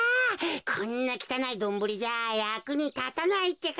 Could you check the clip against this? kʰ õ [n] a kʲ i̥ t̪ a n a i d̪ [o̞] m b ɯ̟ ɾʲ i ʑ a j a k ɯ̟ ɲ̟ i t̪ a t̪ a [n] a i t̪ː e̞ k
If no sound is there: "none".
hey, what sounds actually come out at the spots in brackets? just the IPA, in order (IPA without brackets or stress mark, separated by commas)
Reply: nː, õ̞, n